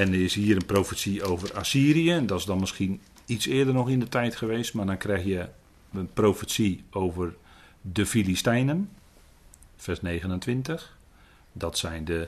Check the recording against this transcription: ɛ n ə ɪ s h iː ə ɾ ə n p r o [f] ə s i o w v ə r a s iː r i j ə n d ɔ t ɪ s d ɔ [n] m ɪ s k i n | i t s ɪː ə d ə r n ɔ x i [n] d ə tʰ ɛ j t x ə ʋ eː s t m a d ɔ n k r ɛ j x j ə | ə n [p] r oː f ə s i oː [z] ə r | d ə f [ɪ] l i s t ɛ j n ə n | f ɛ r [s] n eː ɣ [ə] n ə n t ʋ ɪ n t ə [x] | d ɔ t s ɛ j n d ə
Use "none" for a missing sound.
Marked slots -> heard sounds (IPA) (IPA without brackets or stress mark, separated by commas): f, n, n, p, v, i, s, ə, x